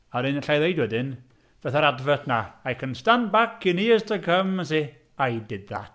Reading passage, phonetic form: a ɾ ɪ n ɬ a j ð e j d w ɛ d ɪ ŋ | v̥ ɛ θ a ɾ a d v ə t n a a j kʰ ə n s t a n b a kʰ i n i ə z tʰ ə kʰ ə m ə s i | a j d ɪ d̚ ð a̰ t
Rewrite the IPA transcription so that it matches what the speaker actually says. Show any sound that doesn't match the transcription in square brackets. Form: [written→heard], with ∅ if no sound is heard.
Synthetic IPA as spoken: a ɾ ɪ n ɬ a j ð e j d w ɛ d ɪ [ŋ→n] | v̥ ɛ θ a ɾ a d v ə t n a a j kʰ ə n s t a n b a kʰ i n i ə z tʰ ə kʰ ə m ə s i | a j d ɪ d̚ ð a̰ t